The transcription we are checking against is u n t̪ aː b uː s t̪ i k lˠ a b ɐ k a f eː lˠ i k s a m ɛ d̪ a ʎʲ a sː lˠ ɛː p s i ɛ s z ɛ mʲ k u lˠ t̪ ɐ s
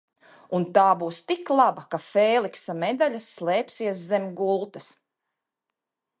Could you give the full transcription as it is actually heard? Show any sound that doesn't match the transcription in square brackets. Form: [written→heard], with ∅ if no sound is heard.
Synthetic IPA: u n t̪ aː b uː s t̪ i k lˠ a b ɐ k a f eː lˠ i k s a m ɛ d̪ a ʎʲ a sː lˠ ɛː p s i ɛ s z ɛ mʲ [k→ɡ] u lˠ t̪ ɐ s